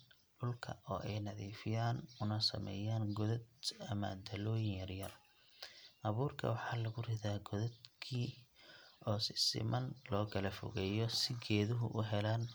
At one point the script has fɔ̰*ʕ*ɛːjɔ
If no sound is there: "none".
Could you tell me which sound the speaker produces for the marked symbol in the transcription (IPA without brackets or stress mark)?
ɣ